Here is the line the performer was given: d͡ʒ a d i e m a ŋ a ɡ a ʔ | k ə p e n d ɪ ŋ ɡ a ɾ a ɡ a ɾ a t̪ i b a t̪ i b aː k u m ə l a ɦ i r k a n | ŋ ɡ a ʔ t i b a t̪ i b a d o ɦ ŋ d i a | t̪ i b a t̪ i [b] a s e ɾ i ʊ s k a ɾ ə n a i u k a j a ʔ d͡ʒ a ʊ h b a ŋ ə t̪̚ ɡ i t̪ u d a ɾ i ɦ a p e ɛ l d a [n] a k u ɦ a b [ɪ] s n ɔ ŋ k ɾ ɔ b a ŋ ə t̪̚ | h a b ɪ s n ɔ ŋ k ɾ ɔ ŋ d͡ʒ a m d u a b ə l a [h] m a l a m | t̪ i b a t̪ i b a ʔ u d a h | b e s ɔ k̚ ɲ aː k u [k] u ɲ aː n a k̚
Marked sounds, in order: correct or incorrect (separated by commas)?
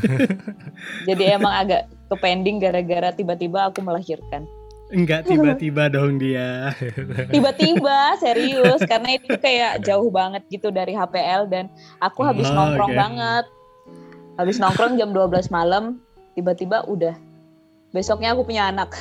correct, correct, correct, incorrect, incorrect